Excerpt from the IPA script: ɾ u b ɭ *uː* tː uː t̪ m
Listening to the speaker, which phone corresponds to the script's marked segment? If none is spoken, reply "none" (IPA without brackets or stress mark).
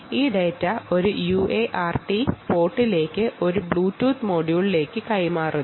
uː